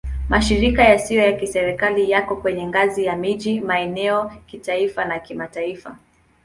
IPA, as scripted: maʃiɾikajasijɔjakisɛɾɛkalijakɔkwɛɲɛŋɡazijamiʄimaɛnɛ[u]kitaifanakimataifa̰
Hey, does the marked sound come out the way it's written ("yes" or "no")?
no